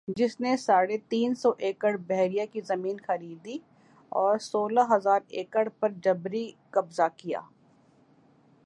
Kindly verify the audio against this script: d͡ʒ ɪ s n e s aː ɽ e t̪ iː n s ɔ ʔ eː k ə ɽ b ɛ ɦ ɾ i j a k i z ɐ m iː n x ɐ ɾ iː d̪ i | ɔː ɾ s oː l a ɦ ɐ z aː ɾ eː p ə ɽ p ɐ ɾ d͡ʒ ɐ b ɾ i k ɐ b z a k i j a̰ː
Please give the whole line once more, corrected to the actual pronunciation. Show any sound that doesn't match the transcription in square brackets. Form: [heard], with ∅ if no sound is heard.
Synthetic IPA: d͡ʒ ɪ s n e s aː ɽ e t̪ iː n s ɔ ʔ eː k ə ɽ b ɛ ɦ ɾ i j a k i z ɐ m iː n x ɐ ɾ iː d̪ i | ɔː ɾ s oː l a ɦ ɐ z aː ɾ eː [k] ə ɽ p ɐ ɾ d͡ʒ ɐ b ɾ i k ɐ b z a k i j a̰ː